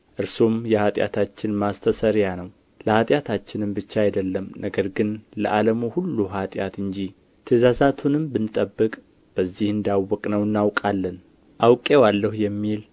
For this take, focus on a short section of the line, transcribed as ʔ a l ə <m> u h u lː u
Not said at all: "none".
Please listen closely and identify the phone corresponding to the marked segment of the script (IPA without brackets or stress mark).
m